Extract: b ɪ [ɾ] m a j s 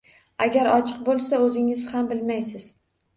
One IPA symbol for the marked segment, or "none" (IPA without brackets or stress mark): l